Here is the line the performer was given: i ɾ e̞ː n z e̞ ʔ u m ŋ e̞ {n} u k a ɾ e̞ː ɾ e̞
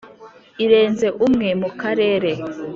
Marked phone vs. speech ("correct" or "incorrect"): incorrect